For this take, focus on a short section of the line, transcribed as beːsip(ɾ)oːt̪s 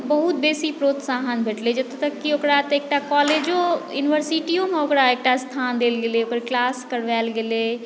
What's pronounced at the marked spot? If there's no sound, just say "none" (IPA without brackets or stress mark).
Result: ɾ